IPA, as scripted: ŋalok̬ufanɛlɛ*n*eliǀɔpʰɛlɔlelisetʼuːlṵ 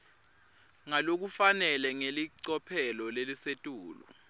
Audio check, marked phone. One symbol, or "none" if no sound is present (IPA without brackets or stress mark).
ŋ